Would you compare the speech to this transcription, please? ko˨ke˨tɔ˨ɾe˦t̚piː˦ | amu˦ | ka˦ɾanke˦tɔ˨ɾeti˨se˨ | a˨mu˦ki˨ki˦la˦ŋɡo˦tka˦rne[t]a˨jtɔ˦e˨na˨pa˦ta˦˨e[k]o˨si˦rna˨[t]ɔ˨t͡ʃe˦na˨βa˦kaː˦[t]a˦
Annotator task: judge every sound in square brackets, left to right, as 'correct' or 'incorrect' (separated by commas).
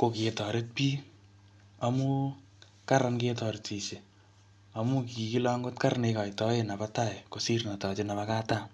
incorrect, correct, correct, correct